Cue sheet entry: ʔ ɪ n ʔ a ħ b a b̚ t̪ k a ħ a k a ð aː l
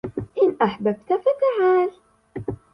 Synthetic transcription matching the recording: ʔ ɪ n ʔ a ħ b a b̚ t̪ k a f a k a ʕ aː l